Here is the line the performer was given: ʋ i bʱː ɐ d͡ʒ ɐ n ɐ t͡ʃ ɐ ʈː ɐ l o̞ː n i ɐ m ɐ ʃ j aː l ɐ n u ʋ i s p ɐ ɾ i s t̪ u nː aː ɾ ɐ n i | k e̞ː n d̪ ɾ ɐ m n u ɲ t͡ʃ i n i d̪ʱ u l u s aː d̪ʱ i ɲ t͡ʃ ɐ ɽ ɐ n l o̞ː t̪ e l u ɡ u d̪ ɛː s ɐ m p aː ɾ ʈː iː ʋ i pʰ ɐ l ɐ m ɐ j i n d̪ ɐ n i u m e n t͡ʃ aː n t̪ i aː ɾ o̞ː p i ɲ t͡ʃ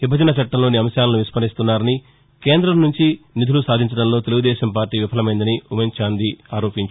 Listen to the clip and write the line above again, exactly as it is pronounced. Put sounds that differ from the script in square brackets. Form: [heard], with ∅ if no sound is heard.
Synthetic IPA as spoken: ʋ i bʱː ɐ d͡ʒ ɐ n ɐ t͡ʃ ɐ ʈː ɐ l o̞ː n i ɐ m ɐ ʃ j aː l ɐ n u ʋ i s p ɐ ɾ i s t̪ u nː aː ɾ ɐ n i | k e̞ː n d̪ ɾ ɐ m n u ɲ t͡ʃ i n i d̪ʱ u l u s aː d̪ʱ i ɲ t͡ʃ ɐ ɽ ɐ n l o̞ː t̪ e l u ɡ u d̪ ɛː [ʃ] ɐ m p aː ɾ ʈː iː ʋ i pʰ ɐ l ɐ m ɐ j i n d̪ ɐ n i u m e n t͡ʃ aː n [d̪] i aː ɾ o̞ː p i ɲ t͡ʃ